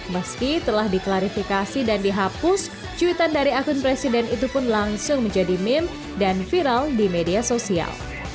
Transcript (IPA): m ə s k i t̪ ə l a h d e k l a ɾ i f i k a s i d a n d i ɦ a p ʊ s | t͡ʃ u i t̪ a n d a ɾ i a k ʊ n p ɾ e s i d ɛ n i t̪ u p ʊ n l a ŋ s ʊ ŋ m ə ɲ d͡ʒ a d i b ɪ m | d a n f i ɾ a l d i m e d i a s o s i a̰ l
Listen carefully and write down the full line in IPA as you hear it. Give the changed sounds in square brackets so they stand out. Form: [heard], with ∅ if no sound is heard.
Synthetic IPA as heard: m ə s k i t̪ ə l a h d [i] k l a ɾ i f i k a s i d a n d i ɦ a p ʊ s | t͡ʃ u i t̪ a n d a ɾ i a k ʊ n p ɾ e s i d ɛ n i t̪ u p ʊ n l a ŋ s ʊ ŋ m ə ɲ d͡ʒ a d i [m] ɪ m | d a n f i ɾ a l d i m e d i a s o s i a̰ l